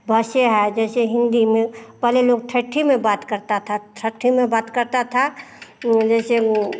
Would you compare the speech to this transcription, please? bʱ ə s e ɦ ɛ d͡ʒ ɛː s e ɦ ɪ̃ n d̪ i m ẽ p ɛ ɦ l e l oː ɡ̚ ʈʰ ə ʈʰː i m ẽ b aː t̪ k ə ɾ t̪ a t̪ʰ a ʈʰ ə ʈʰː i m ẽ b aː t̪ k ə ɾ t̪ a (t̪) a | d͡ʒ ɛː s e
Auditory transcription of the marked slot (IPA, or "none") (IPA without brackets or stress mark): t̪ʰ